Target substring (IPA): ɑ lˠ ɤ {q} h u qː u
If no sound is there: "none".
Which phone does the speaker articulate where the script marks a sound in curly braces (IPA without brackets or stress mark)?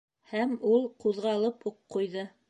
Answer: p